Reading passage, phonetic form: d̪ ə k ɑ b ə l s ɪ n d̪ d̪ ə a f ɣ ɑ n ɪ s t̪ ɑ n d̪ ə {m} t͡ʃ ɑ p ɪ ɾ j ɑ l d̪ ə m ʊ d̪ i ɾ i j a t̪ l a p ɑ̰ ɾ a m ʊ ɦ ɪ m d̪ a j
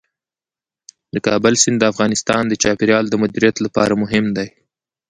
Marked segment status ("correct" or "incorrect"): incorrect